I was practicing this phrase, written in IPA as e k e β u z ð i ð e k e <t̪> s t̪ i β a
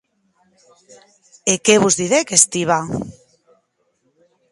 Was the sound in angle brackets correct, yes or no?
no